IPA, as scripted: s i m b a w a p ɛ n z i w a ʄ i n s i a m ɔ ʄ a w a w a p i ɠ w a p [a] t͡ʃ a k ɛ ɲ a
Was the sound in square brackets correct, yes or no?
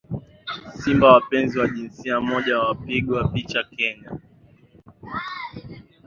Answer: no